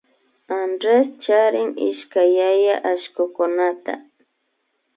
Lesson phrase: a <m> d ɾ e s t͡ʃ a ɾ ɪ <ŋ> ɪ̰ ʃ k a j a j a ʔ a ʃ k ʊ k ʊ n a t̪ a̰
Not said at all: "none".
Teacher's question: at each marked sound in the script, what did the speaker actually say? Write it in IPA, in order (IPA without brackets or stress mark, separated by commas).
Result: n, ŋ